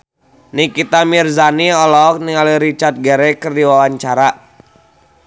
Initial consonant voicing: voiced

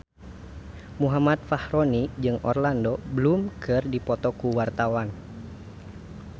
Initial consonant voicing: voiced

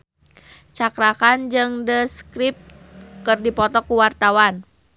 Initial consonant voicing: voiceless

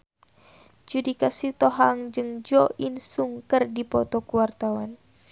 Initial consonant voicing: voiced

